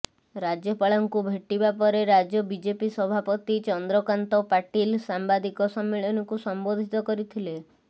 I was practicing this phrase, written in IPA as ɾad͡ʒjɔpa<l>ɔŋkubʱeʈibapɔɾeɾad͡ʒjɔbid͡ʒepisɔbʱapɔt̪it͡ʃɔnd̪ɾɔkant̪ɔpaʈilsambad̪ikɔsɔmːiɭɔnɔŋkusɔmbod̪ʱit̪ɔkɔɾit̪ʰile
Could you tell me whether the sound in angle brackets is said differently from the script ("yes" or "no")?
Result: yes